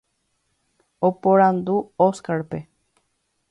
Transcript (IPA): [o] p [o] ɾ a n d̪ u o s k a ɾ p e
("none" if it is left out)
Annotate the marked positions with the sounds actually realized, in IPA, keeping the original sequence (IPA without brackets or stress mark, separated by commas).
o, o